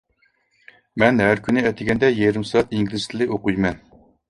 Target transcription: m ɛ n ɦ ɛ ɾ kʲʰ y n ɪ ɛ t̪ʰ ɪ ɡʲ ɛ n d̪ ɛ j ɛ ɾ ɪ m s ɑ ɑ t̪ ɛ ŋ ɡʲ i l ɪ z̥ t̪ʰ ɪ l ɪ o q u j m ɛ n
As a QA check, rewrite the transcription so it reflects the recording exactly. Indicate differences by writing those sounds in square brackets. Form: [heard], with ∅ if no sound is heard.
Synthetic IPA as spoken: m ɛ n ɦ [æ] ɾ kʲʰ y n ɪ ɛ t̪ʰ ɪ ɡʲ ɛ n d̪ ɛ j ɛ ɾ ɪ m s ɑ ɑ t̪ [i] ŋ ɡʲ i l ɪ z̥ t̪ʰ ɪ l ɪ o q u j m ɛ n